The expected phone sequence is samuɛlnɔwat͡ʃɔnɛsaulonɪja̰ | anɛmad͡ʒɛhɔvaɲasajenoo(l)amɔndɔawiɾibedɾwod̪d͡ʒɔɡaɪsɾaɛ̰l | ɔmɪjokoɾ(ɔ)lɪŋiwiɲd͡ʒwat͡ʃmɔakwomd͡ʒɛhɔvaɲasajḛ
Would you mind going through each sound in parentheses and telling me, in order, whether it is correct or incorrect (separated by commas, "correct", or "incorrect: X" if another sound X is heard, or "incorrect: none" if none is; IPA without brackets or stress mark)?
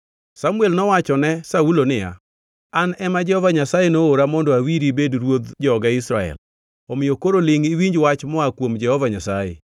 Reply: incorrect: ɾ, incorrect: o